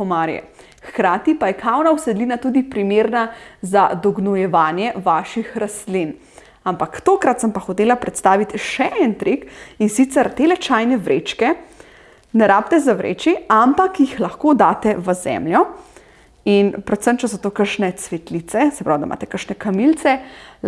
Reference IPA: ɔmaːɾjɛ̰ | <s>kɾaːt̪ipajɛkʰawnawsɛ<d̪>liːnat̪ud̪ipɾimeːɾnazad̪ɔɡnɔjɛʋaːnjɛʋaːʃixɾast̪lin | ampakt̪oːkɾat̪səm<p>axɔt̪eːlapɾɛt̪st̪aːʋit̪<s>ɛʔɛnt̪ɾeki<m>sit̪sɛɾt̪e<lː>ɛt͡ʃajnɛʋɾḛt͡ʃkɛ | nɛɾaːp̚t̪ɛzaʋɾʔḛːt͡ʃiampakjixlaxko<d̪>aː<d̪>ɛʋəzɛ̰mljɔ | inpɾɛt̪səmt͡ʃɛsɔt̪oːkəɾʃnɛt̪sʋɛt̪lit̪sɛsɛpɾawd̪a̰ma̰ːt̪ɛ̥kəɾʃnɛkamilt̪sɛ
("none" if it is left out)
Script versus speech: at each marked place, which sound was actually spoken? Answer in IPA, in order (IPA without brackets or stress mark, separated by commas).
x, d̪, p, ʃ, n, l, d̪, t̪